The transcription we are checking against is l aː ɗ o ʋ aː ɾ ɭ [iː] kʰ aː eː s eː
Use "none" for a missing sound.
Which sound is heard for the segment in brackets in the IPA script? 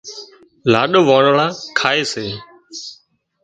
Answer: aː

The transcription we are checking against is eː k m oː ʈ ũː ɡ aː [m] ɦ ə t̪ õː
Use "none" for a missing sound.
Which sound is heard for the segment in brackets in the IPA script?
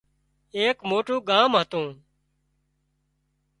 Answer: m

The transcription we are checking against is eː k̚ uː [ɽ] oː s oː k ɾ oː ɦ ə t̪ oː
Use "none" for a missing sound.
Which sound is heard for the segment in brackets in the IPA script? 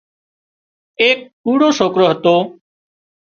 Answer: ɽ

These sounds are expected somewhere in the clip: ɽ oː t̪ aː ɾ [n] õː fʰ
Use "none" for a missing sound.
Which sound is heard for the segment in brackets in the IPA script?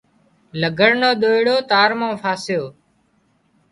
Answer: m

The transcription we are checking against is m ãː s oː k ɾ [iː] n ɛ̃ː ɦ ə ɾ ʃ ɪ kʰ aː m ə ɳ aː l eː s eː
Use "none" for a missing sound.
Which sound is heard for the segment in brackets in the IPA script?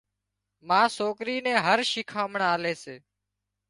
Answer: iː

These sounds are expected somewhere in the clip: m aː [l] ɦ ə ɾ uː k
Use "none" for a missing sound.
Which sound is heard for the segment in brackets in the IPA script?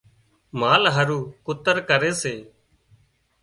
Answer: l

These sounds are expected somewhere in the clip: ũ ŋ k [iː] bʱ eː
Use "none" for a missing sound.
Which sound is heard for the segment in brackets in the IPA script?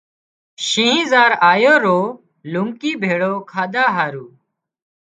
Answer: iː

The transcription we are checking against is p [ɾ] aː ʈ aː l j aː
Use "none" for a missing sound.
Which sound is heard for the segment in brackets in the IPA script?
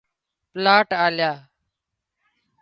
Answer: l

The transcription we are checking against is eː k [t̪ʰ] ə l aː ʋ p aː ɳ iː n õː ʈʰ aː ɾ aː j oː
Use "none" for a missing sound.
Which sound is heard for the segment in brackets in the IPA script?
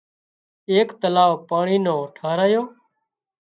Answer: t̪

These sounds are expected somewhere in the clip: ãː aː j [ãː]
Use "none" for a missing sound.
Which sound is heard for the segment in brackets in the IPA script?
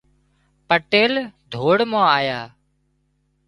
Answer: aː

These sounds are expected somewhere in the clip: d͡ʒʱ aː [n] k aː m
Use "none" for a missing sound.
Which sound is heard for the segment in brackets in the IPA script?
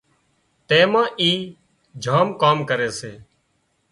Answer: m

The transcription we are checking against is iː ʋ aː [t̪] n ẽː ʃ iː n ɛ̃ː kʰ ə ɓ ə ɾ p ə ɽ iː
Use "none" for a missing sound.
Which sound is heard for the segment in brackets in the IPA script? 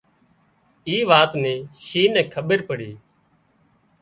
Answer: t̪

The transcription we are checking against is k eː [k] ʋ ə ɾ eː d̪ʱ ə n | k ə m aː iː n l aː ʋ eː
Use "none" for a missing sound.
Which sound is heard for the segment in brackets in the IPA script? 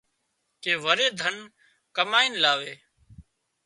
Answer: none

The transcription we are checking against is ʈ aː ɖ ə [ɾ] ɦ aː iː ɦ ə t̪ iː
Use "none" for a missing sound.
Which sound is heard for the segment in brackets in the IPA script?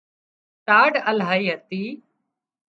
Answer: l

